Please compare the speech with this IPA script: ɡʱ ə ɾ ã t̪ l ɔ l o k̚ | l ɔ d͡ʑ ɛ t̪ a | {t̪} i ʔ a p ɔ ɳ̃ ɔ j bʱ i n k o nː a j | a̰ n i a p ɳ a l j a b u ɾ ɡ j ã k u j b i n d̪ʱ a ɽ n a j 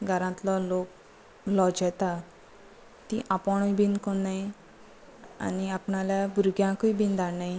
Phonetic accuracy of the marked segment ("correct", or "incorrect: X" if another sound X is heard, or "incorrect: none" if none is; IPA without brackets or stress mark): correct